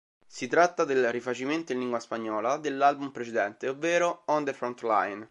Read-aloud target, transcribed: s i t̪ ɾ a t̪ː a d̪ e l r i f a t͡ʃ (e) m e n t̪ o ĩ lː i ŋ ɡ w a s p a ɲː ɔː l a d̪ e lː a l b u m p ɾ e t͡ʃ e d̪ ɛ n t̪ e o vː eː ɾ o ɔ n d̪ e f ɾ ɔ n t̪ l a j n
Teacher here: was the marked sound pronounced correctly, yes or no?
no